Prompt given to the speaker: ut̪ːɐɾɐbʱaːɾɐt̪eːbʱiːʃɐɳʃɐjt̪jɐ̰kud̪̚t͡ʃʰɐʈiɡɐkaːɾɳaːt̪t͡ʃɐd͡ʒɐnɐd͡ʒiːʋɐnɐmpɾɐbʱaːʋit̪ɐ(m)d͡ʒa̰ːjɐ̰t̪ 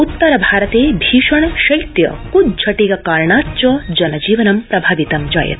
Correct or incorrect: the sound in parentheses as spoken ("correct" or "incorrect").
correct